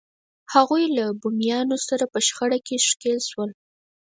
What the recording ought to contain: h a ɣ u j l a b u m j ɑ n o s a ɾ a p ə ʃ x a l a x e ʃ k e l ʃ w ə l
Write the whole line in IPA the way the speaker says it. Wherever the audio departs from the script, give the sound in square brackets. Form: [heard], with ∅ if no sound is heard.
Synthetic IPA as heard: h a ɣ u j l a b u m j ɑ n o s a ɾ a p ə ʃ x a [ɽ] a [k] e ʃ k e l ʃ w ə l